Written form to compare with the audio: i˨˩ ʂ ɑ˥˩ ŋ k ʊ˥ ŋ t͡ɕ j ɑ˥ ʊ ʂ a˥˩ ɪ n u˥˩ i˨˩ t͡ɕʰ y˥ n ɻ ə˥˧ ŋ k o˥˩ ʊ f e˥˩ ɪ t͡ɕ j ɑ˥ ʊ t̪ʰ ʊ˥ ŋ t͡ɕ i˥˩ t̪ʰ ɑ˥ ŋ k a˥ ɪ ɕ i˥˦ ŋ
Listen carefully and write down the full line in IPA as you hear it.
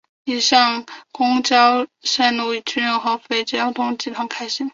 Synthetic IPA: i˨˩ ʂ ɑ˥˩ ŋ k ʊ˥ ŋ t͡ɕ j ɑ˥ ʊ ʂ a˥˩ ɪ n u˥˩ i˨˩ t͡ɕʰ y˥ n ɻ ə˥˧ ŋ x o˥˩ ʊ f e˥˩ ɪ t͡ɕ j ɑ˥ ʊ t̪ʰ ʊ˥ ŋ t͡ɕ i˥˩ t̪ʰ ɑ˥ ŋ kʰ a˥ ɪ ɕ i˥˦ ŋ